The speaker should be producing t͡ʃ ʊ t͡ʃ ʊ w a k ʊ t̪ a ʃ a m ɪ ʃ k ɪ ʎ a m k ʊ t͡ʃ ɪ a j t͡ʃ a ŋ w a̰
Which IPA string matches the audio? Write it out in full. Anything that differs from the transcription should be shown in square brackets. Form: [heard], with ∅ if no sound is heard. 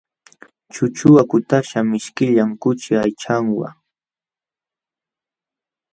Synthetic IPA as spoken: t͡ʃ ʊ t͡ʃ ʊ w a k ʊ t̪ a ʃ a m ɪ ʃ k ɪ ʎ a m k ʊ t͡ʃ ɪ a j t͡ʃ a ŋ w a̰